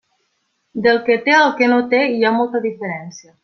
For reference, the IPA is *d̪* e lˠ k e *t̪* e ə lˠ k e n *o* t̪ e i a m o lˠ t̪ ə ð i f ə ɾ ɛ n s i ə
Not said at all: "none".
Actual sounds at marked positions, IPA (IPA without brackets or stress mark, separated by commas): d̪, t̪, o